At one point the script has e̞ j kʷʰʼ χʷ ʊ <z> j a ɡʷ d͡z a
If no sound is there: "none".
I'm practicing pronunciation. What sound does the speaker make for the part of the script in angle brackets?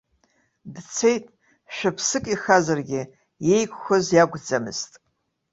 z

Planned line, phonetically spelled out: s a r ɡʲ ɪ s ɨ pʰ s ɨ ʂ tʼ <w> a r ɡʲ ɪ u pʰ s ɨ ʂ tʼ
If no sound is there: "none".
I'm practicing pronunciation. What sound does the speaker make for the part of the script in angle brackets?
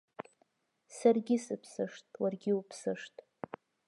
w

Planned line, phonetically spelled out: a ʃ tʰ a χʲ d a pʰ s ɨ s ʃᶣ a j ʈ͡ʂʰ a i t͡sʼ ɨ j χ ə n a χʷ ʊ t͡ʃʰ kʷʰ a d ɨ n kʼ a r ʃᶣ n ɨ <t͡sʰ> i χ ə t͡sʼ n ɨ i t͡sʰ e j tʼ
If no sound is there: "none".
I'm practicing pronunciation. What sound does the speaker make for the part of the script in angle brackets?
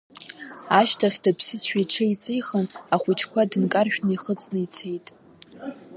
none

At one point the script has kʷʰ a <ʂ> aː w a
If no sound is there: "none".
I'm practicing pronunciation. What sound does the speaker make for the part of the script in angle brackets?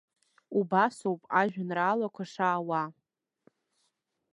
ʂ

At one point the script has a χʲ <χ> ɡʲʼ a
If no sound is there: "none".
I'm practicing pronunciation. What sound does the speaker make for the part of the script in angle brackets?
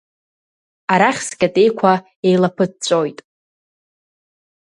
s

